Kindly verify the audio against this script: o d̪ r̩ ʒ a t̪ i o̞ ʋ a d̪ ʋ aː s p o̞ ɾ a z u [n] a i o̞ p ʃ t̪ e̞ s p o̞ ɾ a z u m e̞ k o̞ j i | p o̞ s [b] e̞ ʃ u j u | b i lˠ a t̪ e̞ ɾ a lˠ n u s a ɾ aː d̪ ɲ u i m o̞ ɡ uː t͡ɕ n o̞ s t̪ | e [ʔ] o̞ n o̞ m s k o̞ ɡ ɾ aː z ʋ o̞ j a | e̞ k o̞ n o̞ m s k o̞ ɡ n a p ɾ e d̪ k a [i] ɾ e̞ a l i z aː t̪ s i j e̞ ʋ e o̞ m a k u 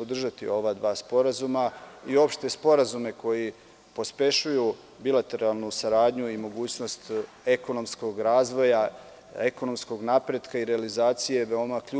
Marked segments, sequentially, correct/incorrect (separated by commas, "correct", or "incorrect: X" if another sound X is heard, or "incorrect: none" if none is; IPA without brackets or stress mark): incorrect: m, incorrect: p, incorrect: k, correct